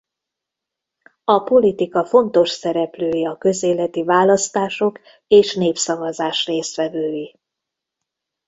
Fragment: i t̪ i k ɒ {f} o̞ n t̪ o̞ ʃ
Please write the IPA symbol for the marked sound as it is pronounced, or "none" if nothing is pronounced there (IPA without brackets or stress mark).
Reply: f